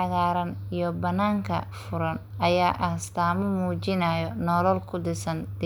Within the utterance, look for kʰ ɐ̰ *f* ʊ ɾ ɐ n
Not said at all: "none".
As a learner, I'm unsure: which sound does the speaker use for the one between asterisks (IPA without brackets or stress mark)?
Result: f